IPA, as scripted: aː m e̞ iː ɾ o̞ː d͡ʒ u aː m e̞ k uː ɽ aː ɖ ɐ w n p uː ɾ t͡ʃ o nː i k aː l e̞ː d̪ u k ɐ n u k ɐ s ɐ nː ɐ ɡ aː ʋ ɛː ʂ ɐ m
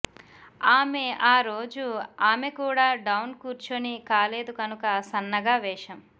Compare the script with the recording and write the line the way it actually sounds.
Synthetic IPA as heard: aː m e̞ aː ɾ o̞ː d͡ʒ u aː m e̞ k uː ɽ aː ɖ ɐ w n k uː ɾ t͡ʃ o n i k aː l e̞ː d̪ u k ɐ n u k ɐ s ɐ nː ɐ ɡ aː ʋ ɛː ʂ ɐ m